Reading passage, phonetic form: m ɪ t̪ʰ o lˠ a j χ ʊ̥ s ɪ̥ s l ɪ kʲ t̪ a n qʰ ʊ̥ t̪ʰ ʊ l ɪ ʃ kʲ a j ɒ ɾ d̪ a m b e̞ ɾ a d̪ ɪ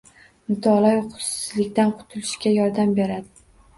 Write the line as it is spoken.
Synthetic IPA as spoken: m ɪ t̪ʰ ɒ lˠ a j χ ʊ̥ s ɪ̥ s l ɪ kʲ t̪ a n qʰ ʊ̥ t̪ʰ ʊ l ɪ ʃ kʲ a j ɒ ɾ d̪ a m b e̞ ɾ a d̪ ɪ